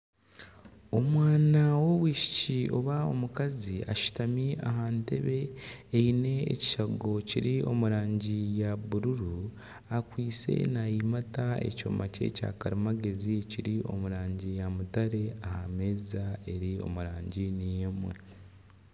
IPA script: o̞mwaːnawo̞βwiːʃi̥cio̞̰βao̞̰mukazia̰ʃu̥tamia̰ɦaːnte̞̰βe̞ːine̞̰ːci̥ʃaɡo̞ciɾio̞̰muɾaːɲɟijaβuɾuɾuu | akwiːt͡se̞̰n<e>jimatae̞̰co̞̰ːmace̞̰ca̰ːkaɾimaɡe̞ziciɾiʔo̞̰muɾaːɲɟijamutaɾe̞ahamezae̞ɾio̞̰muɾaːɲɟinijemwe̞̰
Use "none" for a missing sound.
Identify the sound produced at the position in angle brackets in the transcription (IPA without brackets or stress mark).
a